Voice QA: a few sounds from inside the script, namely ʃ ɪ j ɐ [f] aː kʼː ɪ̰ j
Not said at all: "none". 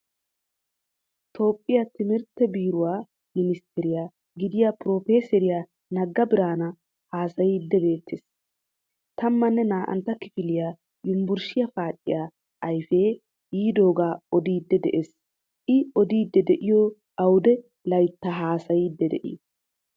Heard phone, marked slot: f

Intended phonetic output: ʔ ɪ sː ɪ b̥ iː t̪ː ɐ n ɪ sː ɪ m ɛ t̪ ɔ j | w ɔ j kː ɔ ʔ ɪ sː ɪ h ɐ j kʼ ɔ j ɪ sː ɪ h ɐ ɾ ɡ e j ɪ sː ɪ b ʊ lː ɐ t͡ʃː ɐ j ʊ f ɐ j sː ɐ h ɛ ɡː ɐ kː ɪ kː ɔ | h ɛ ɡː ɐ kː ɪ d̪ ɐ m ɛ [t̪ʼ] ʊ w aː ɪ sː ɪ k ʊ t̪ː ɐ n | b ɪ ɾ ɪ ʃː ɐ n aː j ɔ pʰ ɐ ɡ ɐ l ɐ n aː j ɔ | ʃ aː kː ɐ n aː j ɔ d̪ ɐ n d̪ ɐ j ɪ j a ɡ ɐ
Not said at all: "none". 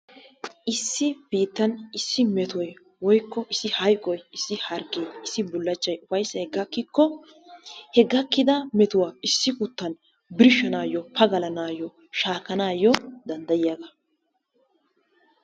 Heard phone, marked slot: t̪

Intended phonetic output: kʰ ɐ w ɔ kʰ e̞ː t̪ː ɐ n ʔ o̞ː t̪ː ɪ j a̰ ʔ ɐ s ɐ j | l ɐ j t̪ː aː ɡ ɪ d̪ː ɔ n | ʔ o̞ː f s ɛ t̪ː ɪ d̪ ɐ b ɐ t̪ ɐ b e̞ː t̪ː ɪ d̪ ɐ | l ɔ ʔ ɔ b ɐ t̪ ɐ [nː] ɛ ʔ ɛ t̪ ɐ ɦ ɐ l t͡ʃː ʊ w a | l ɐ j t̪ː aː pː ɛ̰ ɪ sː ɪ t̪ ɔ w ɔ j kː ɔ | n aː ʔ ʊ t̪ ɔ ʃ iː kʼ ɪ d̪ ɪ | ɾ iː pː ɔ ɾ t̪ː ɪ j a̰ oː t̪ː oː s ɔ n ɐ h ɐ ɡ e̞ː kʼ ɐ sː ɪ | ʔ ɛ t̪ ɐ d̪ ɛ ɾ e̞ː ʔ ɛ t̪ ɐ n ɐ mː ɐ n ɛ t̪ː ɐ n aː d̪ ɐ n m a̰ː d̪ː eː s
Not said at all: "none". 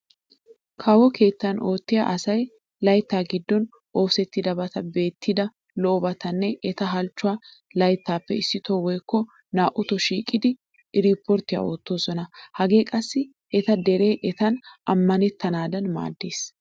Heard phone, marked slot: nː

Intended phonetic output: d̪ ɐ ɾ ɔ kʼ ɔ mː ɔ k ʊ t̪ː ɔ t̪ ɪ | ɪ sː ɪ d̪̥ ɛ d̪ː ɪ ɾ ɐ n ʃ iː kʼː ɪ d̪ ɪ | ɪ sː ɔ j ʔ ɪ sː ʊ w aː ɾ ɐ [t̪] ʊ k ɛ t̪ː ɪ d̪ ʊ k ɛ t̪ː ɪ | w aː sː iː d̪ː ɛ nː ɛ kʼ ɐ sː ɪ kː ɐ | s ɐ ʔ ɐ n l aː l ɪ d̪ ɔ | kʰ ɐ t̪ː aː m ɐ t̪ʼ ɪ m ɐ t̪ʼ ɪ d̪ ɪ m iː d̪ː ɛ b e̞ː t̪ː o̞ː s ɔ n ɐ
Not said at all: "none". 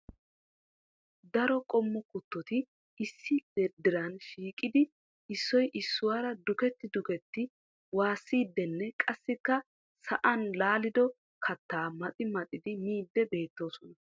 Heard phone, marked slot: d̪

